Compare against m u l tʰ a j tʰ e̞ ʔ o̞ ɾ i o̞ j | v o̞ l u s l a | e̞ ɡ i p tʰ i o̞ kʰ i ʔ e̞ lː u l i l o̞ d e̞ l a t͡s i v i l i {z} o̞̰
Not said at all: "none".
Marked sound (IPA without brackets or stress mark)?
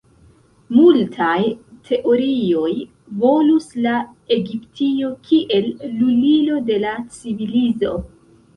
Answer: z